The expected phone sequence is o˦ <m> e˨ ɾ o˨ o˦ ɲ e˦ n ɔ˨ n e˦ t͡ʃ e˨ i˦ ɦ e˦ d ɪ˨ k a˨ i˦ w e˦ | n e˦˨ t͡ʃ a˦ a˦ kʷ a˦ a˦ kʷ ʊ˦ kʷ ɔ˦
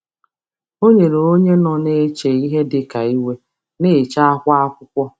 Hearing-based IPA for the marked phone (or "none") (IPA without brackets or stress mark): ɲ